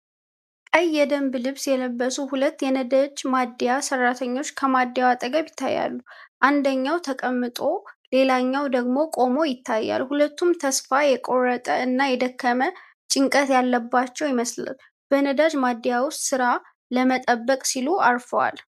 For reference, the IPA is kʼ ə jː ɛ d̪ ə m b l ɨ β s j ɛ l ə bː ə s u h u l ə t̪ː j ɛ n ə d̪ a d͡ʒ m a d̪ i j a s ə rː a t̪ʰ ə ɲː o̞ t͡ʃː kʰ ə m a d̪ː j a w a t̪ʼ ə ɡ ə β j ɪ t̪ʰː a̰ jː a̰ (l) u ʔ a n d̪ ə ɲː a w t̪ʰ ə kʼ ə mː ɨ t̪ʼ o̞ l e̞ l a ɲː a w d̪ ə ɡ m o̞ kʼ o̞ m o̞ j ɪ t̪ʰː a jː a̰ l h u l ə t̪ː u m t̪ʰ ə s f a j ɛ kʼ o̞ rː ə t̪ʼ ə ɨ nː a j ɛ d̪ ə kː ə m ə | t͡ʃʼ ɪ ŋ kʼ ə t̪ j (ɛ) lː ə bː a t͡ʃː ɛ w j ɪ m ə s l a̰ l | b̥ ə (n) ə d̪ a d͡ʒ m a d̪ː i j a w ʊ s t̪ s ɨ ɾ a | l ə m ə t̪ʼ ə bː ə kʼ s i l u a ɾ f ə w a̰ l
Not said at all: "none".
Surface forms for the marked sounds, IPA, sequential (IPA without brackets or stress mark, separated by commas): lː, a, n